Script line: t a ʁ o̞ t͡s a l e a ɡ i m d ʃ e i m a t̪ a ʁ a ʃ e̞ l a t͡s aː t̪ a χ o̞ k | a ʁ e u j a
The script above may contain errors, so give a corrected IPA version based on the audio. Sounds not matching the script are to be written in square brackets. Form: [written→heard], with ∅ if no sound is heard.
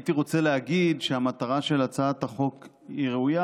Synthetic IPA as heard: t [a→i] ʁ o̞ t͡s [a→e] l e a ɡ i [m→∅] d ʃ e [i→a] m a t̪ a ʁ a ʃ e̞ l a t͡s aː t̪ a χ o̞ k | [a→i] ʁ e u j a